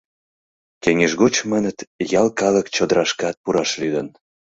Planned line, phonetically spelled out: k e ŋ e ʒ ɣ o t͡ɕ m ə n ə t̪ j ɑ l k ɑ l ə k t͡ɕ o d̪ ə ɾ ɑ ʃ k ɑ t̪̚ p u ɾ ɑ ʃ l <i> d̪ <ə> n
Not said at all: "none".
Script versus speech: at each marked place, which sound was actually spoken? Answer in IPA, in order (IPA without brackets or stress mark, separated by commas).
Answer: y, ə